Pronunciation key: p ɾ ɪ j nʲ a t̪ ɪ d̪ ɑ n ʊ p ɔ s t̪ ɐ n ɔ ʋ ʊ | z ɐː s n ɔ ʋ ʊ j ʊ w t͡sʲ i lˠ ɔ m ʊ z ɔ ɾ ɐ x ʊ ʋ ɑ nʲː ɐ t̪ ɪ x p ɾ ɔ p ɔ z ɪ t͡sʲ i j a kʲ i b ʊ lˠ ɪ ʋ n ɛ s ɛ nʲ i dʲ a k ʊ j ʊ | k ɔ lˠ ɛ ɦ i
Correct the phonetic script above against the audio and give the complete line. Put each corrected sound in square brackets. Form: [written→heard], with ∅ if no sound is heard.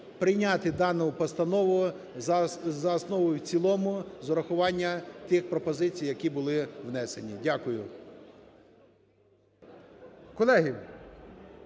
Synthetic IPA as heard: p ɾ ɪ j nʲ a t̪ ɪ d̪ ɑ n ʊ p ɔ s t̪ ɐ n ɔ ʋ ʊ | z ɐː s n ɔ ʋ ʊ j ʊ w t͡sʲ i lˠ ɔ m ʊ z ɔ ɾ ɐ x ʊ ʋ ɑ nʲː ɐ t̪ ɪ x p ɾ ɔ p ɔ z ɪ t͡sʲ i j [a→ɐ] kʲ i b ʊ lˠ ɪ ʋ n ɛ s [ɛ→e] nʲ i dʲ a k ʊ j ʊ | k ɔ lˠ ɛ ɦ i